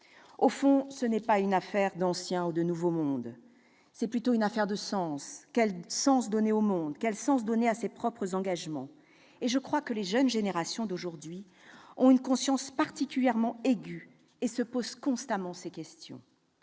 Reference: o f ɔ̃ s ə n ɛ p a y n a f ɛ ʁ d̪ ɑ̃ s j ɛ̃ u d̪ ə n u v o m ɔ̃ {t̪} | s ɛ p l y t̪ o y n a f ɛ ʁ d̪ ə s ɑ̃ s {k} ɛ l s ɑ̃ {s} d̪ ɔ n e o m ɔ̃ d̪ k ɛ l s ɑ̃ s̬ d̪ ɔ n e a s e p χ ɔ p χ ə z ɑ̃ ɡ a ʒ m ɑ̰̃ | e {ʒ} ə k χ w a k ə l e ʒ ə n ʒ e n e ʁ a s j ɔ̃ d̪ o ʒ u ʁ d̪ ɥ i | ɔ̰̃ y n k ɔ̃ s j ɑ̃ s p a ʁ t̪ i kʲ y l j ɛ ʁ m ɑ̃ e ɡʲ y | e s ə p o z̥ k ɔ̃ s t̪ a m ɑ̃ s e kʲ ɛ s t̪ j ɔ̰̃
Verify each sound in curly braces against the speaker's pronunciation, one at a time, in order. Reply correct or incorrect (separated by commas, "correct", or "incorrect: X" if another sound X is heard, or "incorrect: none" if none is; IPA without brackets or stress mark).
incorrect: d̪, correct, correct, correct